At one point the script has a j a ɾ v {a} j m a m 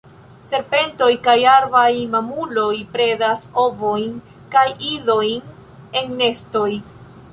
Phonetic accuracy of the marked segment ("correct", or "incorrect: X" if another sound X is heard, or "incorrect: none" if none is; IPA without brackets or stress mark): correct